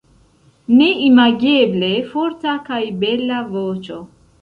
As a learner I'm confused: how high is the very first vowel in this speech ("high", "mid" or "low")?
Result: mid